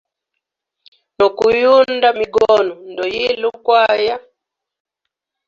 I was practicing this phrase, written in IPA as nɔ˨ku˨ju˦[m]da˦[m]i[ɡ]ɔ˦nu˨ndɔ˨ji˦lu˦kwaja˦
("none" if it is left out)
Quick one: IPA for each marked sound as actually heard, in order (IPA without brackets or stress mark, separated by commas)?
n, m, ɡ